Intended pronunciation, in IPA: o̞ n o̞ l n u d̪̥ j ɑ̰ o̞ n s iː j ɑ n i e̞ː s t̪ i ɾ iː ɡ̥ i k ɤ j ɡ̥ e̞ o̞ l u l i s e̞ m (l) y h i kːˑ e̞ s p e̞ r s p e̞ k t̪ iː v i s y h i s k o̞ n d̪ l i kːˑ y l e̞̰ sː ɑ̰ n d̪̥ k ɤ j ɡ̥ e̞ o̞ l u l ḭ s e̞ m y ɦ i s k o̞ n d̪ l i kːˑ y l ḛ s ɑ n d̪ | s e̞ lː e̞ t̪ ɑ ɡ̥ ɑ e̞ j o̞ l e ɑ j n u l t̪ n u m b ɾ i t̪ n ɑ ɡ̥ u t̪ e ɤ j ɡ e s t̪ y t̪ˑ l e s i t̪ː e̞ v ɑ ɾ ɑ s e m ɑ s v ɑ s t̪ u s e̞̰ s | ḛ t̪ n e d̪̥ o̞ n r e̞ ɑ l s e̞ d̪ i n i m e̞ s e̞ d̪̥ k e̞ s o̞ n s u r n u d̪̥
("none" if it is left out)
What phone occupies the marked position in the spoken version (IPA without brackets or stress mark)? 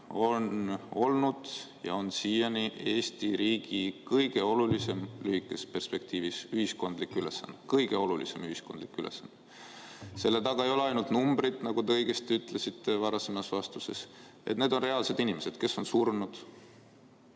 l